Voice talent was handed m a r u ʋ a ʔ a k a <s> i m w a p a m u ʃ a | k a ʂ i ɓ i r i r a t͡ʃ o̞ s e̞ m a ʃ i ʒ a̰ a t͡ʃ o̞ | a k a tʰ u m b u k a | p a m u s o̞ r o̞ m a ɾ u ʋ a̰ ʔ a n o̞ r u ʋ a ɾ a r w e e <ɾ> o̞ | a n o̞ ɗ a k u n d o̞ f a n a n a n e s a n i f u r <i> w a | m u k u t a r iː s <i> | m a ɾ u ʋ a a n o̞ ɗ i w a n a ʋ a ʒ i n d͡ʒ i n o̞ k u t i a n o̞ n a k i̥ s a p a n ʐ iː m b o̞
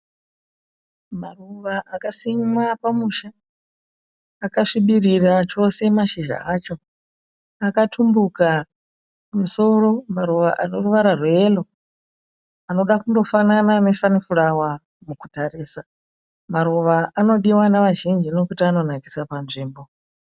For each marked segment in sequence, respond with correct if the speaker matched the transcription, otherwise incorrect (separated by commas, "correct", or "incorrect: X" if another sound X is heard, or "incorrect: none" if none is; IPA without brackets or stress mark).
correct, incorrect: l, incorrect: a, incorrect: a